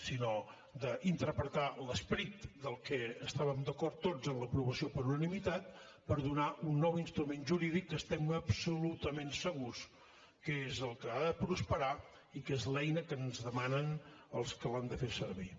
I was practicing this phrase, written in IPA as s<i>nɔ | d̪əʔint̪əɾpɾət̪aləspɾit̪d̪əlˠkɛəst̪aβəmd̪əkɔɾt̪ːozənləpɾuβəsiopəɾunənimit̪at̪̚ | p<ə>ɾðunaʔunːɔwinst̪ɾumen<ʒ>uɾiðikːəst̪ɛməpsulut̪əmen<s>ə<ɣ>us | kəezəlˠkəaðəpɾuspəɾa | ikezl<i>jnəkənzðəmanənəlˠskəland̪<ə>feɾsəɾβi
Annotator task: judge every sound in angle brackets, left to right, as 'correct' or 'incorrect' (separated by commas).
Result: correct, correct, correct, correct, correct, incorrect, correct